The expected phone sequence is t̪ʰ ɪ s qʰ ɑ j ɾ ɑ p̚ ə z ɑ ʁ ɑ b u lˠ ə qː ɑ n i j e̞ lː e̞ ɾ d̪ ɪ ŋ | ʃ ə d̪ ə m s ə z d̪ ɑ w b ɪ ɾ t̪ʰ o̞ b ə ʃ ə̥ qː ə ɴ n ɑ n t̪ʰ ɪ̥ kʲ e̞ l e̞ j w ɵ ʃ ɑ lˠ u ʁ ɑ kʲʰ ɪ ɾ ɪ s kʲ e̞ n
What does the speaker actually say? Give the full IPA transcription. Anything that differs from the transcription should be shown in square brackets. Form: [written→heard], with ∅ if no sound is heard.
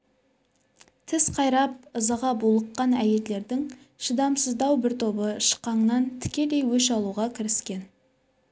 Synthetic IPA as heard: t̪ʰ ɪ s qʰ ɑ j ɾ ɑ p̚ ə z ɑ ʁ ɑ b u lˠ ə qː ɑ n [i→æ] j e̞ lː e̞ ɾ d̪ ɪ ŋ | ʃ ə d̪ [ə→ɑ] m s ə z d̪ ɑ w b ɪ ɾ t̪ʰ o̞ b ə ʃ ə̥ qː [ə→ɑ] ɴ n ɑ n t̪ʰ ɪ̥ kʲ e̞ l e̞ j w ɵ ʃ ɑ lˠ u ʁ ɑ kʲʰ ɪ ɾ ɪ s kʲ e̞ n